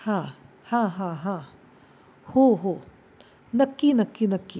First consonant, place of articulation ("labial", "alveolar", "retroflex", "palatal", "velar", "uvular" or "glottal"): glottal